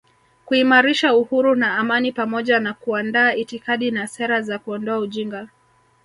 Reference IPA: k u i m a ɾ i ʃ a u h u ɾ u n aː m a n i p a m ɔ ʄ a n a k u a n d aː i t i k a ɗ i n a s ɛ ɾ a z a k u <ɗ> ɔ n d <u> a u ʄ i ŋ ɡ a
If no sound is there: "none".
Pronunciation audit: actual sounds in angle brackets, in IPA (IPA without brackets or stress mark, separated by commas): none, ɔ